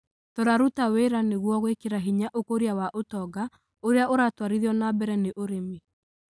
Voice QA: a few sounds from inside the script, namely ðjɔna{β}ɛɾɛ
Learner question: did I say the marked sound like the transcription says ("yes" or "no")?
no